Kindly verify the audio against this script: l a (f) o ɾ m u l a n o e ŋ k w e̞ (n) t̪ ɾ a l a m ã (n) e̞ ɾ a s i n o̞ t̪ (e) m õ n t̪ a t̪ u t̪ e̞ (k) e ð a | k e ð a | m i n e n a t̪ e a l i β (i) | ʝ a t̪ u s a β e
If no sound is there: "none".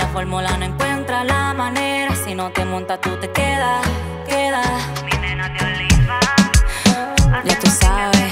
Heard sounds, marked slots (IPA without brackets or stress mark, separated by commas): f, n, n, e, k, a